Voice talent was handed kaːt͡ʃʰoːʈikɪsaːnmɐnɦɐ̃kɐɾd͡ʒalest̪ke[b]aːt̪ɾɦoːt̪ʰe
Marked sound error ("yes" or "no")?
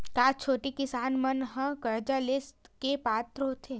yes